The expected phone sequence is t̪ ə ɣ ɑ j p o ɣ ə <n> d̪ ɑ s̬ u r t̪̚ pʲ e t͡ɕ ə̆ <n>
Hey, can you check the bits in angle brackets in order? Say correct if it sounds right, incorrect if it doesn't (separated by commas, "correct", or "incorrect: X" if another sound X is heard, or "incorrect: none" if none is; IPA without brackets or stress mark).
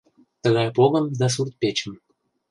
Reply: incorrect: m, incorrect: m